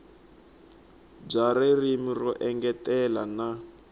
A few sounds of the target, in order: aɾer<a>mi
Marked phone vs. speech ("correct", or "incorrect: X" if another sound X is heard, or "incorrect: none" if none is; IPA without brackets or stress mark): incorrect: i